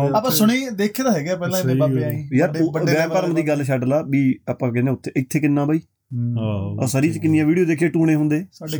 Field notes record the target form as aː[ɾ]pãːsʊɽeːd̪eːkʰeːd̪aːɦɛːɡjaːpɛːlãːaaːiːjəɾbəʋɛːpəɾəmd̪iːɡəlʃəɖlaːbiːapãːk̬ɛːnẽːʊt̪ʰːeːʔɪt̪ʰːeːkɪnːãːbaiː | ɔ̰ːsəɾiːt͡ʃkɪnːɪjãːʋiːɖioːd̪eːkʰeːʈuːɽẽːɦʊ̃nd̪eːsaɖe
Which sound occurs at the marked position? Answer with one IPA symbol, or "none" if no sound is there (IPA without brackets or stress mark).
none